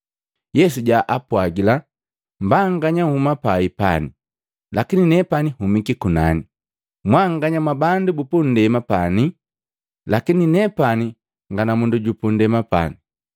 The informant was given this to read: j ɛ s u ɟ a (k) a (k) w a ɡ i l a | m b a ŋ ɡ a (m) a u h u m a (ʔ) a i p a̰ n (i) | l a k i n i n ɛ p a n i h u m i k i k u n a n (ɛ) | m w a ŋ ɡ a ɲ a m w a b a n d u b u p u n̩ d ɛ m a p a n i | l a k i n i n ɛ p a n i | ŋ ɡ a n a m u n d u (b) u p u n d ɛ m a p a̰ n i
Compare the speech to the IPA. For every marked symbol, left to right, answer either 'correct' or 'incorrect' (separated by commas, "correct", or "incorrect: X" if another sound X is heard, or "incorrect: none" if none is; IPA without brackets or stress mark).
incorrect: ʔ, incorrect: p, incorrect: ɲ, incorrect: p, correct, incorrect: i, incorrect: ɟ